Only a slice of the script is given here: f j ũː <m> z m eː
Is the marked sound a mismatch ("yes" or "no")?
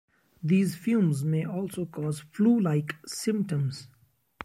no